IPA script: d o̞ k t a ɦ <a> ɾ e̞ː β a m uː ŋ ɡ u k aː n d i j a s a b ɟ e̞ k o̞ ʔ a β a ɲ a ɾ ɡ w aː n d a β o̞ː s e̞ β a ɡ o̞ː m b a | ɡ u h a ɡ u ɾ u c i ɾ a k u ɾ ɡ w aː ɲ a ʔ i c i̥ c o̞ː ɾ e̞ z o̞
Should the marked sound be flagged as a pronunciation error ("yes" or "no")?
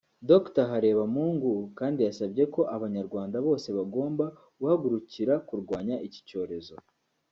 no